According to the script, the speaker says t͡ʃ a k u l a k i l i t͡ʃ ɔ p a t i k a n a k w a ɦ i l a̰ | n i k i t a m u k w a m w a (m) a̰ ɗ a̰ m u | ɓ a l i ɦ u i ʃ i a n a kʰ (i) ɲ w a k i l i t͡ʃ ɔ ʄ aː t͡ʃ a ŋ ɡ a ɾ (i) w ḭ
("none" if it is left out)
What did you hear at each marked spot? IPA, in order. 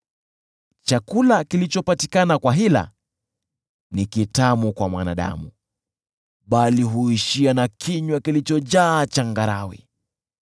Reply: n, i, a

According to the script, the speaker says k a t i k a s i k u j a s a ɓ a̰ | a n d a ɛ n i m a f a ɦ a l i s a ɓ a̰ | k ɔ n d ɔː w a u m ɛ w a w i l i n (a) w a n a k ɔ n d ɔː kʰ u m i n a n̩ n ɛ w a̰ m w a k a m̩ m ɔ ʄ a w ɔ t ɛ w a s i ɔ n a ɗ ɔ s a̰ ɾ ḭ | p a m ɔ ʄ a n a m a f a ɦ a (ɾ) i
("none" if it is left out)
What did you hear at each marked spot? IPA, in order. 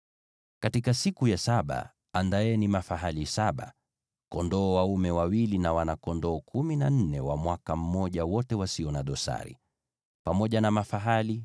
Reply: a, l

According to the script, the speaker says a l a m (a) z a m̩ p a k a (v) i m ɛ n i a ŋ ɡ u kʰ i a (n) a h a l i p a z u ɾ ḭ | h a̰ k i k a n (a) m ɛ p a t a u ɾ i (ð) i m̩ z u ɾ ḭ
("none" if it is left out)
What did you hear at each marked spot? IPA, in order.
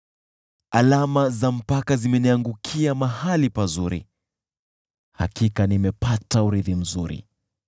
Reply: a, z, m, i, ð

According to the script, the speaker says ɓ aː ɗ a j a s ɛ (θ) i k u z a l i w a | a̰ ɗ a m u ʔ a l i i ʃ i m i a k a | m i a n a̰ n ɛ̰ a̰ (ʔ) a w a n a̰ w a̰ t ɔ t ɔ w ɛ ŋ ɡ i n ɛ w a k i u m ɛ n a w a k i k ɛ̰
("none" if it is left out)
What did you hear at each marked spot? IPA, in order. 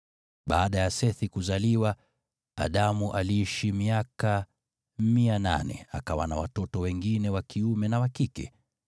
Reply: θ, k

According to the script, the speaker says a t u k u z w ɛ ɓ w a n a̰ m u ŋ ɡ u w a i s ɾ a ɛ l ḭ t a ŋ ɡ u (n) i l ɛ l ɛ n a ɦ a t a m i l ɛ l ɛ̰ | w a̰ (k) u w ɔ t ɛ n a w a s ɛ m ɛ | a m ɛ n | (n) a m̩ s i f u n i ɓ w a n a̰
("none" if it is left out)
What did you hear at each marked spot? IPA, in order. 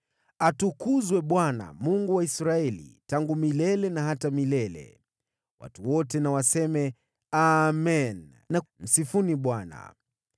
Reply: m, t, n

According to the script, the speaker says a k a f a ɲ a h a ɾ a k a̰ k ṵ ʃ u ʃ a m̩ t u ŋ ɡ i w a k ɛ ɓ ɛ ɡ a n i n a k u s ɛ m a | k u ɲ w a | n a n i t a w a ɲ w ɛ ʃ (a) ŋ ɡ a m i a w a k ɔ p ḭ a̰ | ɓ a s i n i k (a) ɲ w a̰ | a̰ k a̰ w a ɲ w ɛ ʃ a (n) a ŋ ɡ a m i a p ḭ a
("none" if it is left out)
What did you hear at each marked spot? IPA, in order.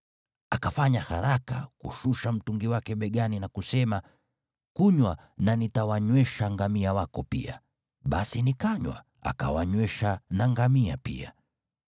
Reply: a, a, n

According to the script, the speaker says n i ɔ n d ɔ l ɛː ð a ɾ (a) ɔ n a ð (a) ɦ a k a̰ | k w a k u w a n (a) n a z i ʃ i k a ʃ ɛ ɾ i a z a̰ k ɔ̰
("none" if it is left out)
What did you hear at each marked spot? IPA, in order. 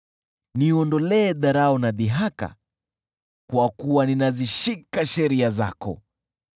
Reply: a, i, i

